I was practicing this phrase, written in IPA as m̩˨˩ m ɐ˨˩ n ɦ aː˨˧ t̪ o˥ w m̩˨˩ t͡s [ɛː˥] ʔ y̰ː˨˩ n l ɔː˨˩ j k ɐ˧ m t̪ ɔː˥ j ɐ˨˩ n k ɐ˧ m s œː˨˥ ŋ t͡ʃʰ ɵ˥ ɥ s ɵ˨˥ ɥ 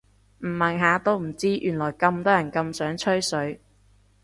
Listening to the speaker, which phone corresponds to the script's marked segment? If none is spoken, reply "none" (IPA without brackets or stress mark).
iː˥